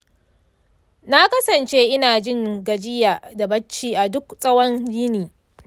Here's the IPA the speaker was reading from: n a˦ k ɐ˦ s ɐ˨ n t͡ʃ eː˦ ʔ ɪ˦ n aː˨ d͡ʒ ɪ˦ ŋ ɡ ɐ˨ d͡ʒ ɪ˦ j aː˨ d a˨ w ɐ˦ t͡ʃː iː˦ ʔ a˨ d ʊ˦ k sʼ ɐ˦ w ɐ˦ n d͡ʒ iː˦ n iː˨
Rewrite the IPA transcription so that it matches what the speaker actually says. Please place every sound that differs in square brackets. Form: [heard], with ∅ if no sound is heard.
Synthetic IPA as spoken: n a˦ k ɐ˦ s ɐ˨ n t͡ʃ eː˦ ʔ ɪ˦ n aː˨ d͡ʒ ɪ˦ ŋ ɡ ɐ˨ d͡ʒ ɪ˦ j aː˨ d a˨ [b] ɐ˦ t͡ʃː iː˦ ʔ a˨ d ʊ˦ k sʼ ɐ˦ w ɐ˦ n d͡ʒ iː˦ n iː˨